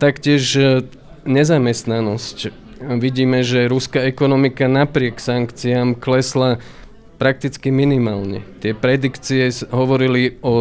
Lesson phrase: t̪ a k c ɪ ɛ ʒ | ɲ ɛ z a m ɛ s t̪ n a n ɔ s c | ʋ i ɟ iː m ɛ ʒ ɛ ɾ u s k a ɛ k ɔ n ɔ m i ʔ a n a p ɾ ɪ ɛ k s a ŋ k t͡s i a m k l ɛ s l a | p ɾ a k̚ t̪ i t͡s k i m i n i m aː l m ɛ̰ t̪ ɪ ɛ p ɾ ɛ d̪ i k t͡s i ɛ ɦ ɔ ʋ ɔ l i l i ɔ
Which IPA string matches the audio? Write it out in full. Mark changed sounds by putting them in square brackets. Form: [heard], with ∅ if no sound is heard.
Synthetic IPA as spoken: t̪ a k c ɪ ɛ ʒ | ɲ ɛ z a m ɛ s t̪ n a n ɔ s c | ʋ i ɟ iː m ɛ ʒ ɛ ɾ u s k a ɛ k ɔ n ɔ m i [k] a n a p ɾ ɪ ɛ k s a ŋ k t͡s i a m k l ɛ s l a | p ɾ a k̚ t̪ i t͡s k i m i n i m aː l [ɲ] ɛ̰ t̪ ɪ ɛ p ɾ ɛ d̪ i k t͡s i ɛ ɦ ɔ ʋ ɔ [ɾ] i l i ɔ